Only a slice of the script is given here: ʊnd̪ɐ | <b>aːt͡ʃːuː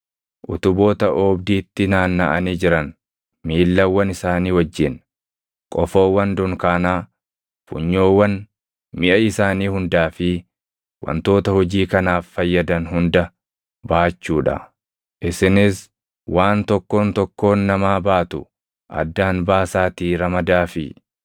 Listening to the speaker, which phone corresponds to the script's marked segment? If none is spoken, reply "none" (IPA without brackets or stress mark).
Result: b